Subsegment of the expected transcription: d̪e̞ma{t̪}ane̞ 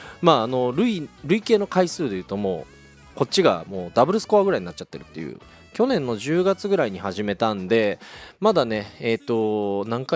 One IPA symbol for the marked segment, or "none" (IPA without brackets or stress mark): d̪